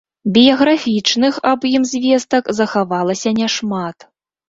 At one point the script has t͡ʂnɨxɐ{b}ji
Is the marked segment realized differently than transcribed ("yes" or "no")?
no